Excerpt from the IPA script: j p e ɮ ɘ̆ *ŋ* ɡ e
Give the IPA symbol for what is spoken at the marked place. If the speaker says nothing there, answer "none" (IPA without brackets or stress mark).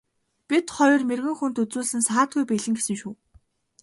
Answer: ŋ